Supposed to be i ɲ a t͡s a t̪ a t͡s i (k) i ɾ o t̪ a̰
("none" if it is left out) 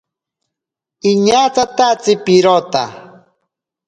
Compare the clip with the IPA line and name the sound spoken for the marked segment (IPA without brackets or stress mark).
p